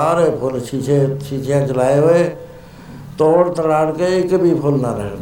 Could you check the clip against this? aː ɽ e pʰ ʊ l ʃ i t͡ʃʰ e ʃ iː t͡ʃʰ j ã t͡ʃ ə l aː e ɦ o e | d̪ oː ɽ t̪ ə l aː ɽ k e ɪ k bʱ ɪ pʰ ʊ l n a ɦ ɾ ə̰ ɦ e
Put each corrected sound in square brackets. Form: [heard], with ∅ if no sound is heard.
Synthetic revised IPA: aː [ɾ] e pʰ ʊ l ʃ i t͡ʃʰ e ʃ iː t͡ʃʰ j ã t͡ʃ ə l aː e ɦ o e | [t̪] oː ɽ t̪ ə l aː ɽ k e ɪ k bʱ [i] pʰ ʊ l n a [∅] ɾ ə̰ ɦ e